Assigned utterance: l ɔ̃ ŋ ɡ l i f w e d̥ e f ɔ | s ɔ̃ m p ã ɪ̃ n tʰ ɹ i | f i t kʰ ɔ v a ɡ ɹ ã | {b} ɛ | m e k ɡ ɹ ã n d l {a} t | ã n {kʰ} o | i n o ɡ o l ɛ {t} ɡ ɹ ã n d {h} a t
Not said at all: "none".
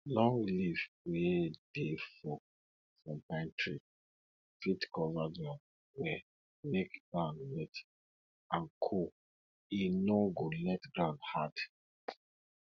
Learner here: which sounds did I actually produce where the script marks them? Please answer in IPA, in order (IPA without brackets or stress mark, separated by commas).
w, ɛ, kʰ, t, h